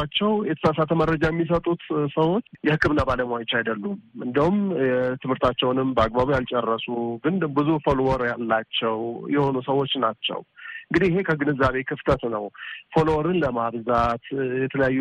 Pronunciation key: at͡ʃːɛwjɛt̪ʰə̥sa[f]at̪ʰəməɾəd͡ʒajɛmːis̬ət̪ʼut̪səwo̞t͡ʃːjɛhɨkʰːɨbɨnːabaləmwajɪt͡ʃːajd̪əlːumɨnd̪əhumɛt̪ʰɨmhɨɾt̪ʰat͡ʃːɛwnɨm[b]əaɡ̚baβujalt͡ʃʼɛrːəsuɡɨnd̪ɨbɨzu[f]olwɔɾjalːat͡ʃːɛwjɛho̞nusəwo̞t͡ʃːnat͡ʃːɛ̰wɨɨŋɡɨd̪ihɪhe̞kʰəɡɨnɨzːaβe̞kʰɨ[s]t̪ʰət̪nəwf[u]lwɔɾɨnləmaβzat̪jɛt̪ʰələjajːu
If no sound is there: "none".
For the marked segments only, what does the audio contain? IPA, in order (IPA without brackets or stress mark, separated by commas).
s, b, f, f, o